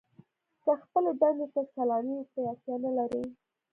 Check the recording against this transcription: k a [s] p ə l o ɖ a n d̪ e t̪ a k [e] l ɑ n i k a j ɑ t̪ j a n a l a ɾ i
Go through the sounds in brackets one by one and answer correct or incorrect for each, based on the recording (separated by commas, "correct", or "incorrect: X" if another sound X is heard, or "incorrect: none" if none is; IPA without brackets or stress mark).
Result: incorrect: x, incorrect: a